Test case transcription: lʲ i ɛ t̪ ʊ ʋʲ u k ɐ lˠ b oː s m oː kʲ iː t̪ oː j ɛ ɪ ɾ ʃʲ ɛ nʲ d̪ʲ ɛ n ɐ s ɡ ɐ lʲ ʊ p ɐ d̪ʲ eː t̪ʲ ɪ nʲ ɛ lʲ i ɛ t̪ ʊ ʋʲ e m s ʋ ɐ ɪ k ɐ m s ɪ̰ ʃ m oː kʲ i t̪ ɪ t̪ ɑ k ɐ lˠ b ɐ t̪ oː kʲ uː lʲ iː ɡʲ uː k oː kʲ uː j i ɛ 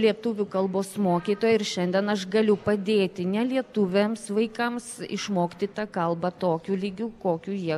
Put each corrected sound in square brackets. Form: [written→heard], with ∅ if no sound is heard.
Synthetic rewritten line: lʲ i ɛ t̪ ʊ ʋʲ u k ɐ lˠ b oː s m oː kʲ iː t̪ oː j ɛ ɪ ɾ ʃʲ ɛ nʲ d̪ʲ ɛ n ɐ [s→ʃ] ɡ ɐ lʲ ʊ p ɐ d̪ʲ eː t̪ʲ ɪ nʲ ɛ lʲ i ɛ t̪ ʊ ʋʲ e m s ʋ ɐ ɪ k ɐ m s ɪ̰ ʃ m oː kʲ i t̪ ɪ t̪ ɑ k ɐ lˠ b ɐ t̪ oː kʲ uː lʲ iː ɡʲ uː k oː kʲ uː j i ɛ